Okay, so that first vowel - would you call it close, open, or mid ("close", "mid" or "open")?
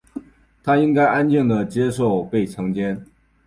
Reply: open